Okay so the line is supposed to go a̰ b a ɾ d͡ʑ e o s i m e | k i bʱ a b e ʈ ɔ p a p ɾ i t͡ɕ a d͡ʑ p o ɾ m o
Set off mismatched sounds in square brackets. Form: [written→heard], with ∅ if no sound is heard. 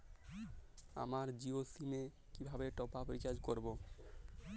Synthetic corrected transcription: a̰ [b→m] a ɾ d͡ʑ [e→i] o s i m e | k i bʱ a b e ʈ ɔ p a p ɾ i t͡ɕ a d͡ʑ [p→k] o ɾ [m→b] o